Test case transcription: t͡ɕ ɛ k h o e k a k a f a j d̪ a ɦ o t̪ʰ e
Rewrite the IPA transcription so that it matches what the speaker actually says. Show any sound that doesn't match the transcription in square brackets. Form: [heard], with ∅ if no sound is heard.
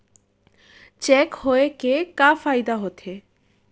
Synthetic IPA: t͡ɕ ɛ k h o e k [e] k a f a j d̪ a ɦ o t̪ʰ e